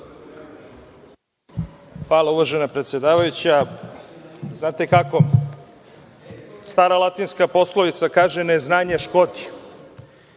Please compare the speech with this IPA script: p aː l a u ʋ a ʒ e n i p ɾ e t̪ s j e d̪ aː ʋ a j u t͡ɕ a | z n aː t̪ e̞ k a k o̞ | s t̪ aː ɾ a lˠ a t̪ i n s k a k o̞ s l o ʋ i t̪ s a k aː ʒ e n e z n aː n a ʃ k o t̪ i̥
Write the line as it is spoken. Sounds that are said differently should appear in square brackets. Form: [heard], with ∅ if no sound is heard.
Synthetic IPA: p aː l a u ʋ a ʒ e n [a] p ɾ e t̪ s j e d̪ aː ʋ a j u t͡ɕ a | z n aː t̪ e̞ k a k o̞ | s t̪ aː ɾ a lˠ a t̪ i n s k a [p] o̞ s l o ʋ i t̪ s a k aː ʒ e n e z n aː [ɲ] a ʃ k o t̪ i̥